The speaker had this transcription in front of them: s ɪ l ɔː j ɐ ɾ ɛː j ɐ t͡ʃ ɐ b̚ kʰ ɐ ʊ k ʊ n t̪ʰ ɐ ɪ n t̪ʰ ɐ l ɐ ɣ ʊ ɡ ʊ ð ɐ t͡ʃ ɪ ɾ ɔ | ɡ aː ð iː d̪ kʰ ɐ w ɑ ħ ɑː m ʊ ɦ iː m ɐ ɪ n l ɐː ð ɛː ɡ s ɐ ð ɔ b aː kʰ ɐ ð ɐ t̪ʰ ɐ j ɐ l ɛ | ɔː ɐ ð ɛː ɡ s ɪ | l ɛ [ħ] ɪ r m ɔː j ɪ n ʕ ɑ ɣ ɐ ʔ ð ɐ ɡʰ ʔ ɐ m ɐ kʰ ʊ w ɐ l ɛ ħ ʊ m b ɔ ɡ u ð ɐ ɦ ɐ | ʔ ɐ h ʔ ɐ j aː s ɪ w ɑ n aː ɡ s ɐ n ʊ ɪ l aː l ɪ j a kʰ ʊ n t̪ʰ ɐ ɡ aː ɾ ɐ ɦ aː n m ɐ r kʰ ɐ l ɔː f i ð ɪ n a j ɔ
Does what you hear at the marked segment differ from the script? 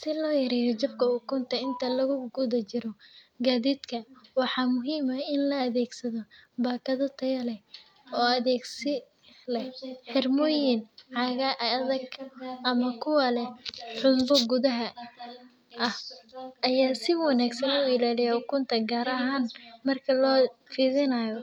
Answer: no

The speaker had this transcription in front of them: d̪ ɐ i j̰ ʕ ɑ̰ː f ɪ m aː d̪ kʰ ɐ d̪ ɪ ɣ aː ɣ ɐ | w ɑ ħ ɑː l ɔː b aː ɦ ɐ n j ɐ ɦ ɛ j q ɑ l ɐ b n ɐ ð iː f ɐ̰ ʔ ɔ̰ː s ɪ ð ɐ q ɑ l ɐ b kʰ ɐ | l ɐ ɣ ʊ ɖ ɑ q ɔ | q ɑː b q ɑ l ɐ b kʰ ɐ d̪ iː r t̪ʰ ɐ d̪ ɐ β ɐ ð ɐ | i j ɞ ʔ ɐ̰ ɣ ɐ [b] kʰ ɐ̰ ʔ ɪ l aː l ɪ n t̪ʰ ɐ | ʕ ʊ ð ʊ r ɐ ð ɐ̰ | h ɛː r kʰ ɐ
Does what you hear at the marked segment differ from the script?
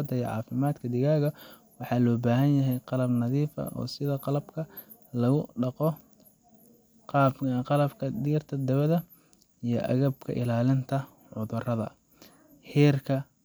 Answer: no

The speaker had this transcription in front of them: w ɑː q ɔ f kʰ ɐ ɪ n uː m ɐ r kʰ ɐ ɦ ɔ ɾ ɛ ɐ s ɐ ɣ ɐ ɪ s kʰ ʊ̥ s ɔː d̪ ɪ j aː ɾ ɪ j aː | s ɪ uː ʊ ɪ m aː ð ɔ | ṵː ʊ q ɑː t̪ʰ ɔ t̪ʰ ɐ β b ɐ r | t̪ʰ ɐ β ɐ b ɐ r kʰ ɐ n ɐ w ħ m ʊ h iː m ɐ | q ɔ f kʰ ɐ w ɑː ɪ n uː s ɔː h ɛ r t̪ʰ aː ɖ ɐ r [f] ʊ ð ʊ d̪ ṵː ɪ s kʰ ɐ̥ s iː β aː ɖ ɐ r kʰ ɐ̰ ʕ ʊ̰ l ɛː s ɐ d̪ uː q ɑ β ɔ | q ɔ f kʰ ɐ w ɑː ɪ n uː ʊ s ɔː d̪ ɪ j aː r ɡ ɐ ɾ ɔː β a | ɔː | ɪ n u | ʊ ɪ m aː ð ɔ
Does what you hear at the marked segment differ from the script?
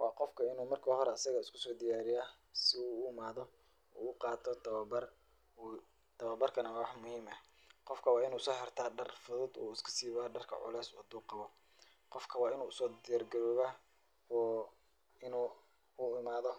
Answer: no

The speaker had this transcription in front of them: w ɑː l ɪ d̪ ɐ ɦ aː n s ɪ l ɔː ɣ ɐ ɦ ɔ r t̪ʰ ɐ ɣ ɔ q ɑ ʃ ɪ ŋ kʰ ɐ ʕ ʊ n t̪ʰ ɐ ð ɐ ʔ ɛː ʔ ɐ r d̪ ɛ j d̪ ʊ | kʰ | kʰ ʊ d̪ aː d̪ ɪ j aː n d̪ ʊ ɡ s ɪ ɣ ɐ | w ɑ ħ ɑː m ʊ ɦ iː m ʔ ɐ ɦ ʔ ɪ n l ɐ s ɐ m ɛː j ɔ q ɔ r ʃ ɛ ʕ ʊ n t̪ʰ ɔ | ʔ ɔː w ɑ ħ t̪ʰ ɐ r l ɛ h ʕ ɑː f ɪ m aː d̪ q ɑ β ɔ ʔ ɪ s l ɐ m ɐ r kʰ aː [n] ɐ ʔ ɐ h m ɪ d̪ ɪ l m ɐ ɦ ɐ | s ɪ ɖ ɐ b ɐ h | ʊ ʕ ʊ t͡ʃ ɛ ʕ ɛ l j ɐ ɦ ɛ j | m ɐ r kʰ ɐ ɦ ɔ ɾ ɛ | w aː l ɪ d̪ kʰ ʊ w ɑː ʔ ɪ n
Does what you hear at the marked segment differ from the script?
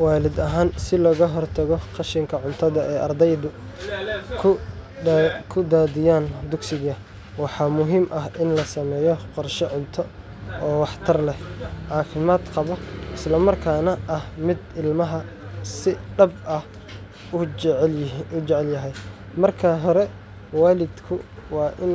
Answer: no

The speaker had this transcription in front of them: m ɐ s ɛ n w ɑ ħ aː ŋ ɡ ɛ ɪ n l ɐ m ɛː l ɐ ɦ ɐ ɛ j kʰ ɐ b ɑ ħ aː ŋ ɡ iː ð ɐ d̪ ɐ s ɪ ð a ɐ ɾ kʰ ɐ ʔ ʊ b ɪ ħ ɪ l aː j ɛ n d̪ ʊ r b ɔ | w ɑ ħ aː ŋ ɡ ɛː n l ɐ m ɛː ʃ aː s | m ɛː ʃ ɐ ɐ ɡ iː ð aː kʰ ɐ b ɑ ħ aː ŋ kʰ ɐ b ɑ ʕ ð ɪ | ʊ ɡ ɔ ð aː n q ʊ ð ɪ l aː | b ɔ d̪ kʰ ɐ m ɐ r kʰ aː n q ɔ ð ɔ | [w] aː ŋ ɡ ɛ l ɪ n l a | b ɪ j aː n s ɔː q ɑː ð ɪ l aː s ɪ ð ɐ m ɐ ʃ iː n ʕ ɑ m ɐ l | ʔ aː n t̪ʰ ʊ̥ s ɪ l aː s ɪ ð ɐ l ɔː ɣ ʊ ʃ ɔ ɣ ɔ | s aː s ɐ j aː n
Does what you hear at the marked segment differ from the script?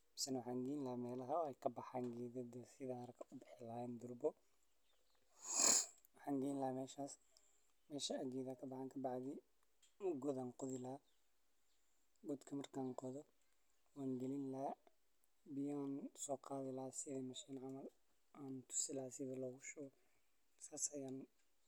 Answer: no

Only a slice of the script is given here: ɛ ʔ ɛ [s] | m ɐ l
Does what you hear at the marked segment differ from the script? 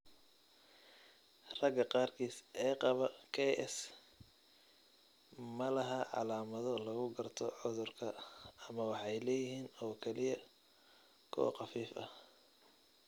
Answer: no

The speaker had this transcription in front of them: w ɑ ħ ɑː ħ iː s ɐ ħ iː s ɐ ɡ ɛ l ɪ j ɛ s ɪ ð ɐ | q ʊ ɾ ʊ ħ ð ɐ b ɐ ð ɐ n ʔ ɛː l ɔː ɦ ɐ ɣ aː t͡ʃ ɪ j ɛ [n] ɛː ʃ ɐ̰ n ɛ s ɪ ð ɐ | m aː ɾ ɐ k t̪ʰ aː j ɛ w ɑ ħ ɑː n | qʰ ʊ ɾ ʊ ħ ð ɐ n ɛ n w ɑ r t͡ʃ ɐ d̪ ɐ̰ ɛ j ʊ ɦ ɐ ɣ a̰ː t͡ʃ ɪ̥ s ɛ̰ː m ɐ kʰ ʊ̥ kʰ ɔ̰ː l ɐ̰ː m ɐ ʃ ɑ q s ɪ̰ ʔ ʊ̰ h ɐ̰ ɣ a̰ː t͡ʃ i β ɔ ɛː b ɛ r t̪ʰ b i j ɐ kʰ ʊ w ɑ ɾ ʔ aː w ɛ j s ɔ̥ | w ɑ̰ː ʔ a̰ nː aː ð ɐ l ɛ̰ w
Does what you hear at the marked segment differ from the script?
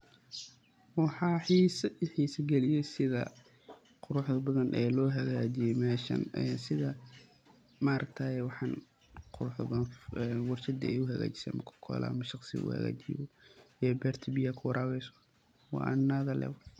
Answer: yes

